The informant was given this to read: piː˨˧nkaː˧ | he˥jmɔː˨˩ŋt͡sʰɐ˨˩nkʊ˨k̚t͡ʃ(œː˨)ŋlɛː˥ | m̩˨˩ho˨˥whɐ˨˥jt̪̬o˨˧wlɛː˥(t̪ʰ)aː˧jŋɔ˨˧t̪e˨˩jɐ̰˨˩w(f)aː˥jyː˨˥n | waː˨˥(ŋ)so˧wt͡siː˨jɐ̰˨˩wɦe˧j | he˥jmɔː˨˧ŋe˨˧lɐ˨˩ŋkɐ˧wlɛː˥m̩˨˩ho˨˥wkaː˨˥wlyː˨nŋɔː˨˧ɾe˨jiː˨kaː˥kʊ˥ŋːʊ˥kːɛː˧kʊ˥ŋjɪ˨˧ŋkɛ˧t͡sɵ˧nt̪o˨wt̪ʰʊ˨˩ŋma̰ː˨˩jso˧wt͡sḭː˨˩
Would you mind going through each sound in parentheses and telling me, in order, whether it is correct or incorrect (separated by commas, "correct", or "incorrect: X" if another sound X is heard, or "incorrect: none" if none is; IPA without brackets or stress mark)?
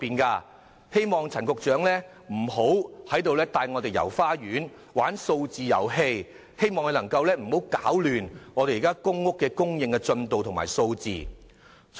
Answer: incorrect: œː˨˥, incorrect: t̪, correct, incorrect: n